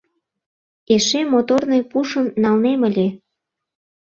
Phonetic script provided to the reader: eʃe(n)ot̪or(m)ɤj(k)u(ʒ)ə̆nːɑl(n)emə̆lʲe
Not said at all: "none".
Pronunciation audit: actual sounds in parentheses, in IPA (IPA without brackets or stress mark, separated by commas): m, n, p, ʃ, n